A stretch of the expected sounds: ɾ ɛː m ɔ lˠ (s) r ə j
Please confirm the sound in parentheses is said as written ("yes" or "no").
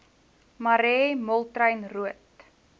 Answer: no